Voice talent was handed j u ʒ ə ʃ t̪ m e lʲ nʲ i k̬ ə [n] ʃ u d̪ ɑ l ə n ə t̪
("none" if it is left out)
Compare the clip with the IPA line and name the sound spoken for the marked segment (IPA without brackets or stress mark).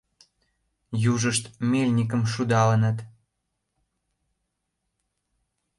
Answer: m